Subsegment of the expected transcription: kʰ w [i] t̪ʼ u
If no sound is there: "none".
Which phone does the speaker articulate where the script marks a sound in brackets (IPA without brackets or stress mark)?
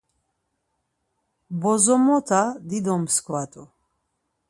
a